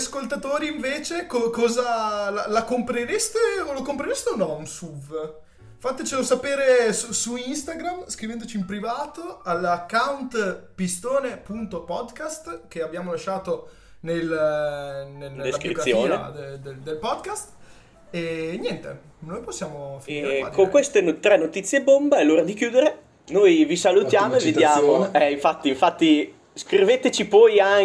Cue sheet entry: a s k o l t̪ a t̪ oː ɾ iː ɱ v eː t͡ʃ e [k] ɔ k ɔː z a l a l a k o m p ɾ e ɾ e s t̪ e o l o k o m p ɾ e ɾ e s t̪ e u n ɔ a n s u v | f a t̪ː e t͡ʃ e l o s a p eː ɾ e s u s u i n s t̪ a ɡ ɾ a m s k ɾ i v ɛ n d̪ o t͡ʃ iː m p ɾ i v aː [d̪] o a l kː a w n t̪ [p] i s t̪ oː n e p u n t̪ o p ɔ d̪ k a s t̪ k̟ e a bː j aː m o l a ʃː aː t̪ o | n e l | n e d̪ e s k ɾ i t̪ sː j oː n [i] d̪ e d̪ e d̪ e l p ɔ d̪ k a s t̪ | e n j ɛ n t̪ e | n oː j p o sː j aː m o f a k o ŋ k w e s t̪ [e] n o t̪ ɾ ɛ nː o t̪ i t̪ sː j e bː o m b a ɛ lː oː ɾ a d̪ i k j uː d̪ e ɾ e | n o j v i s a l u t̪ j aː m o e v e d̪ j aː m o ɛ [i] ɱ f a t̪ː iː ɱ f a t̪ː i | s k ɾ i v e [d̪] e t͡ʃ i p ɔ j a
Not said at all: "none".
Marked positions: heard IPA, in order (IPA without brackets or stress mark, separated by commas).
k, t̪, p, e, e, i, t̪